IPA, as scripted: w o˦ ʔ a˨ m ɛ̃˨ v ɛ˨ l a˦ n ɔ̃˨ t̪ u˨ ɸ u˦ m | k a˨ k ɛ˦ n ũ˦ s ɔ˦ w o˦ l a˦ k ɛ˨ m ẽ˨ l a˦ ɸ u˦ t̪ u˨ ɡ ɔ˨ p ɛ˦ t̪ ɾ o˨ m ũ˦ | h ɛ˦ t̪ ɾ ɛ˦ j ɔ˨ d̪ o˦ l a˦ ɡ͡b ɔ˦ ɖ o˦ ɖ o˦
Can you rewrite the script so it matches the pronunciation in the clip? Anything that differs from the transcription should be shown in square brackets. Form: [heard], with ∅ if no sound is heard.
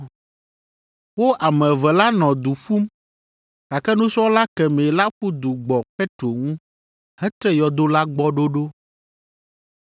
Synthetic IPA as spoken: w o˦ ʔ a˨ m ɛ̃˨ v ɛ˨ l a˦ n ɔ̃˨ [d̪] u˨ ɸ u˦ m | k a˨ k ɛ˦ n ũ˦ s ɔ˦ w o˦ l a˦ k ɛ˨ m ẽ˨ l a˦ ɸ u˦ [d̪] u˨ [ɡ͡b] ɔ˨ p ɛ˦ t̪ ɾ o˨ [ŋ] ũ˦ | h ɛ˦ t̪ ɾ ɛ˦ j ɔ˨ d̪ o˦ l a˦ ɡ͡b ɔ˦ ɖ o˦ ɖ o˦